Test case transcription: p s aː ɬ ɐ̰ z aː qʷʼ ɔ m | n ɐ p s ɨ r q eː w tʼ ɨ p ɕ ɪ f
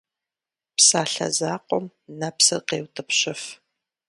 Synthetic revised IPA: p s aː ɬ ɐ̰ z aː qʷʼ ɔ m | n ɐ p s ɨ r q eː w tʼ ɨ p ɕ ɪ f